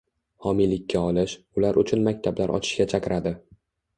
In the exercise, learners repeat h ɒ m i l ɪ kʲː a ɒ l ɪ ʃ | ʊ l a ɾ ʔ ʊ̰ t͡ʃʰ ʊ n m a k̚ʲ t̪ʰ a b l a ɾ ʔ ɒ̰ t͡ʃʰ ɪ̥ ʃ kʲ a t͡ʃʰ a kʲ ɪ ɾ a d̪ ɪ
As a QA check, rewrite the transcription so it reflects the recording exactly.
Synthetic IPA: h ɒ m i l ɪ kʲː a ɒ l ɪ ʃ | ʊ l a ɾ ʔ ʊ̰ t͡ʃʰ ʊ n m a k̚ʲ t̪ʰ a b l a ɾ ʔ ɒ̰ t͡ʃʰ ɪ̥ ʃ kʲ a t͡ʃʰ a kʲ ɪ ɾ a d̪ ɪ